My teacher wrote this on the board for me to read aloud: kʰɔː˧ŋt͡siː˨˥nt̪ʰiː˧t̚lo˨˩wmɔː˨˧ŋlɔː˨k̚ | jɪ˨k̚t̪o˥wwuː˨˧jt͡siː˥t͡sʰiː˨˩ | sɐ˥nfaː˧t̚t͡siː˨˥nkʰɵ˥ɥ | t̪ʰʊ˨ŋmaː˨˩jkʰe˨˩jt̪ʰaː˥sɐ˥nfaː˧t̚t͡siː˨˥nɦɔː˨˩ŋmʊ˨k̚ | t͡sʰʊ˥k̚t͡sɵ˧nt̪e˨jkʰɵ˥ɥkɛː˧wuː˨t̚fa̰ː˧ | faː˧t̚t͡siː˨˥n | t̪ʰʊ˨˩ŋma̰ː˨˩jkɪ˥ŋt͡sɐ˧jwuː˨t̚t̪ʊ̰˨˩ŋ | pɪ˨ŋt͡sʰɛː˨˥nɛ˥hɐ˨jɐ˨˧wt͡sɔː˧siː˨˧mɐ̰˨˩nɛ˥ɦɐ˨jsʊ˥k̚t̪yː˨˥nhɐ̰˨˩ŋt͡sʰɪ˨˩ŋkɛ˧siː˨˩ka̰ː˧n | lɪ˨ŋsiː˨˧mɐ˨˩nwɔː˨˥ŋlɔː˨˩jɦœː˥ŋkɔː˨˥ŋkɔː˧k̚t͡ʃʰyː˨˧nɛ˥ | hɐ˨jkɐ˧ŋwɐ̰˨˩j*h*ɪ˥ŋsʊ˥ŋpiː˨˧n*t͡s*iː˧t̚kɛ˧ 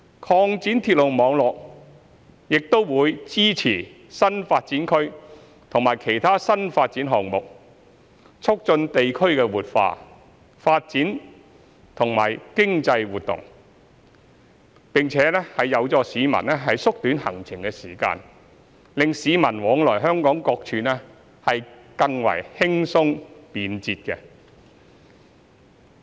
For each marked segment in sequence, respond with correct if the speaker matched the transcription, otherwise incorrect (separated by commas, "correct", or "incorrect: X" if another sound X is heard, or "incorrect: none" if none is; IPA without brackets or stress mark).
correct, correct